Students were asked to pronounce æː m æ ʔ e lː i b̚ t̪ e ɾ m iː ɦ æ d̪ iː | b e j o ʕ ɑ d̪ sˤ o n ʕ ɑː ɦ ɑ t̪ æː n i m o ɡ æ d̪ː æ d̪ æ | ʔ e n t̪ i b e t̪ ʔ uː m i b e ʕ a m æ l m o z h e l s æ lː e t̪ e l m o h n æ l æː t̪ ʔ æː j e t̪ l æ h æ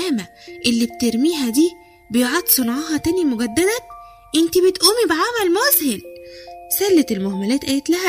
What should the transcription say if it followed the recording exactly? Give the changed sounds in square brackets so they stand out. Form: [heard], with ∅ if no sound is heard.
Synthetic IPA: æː m æ ʔ e lː i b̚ t̪ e ɾ m iː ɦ æ d̪ iː | b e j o ʕ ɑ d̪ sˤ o n ʕ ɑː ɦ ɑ t̪ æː n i m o ɡ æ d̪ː æ d̪ æ | ʔ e n t̪ i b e t̪ ʔ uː m i b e ʕ a m æ l m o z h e l s æ lː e t̪ e l m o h [m] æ l æː t̪ ʔ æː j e t̪ l æ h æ